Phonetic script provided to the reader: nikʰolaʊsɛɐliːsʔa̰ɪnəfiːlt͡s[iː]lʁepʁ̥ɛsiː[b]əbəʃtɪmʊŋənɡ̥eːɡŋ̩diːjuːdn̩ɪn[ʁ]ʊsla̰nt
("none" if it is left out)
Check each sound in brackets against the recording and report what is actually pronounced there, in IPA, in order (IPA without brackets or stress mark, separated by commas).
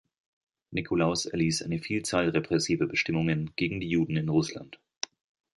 aː, v, ʁ